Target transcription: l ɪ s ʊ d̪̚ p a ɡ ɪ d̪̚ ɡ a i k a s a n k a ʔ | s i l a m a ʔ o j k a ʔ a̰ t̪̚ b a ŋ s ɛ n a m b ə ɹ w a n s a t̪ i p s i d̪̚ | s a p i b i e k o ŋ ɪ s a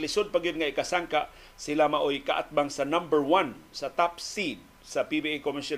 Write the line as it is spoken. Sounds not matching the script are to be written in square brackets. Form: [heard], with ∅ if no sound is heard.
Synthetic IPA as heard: l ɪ s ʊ d̪̚ p a ɡ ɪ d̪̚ [ŋ] a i k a s a [ŋ] k a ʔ | s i l a m a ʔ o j k a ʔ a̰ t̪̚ b a ŋ s [a] n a m b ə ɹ w a n s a t̪ [a] p s i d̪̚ | s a p i b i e k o [m] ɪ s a